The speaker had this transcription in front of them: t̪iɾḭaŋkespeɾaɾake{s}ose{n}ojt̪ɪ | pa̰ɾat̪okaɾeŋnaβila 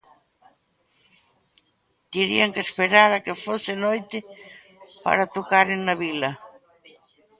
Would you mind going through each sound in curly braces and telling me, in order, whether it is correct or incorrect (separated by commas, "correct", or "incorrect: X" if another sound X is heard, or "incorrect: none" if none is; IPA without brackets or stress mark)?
incorrect: f, correct